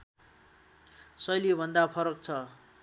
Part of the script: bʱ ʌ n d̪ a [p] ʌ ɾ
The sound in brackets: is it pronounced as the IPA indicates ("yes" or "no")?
no